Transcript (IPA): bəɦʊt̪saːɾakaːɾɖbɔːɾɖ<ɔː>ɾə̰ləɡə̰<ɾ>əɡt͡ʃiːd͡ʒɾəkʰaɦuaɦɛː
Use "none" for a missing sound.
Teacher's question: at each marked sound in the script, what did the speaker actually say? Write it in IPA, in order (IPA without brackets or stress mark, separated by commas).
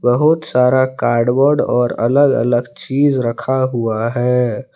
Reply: ɔː, l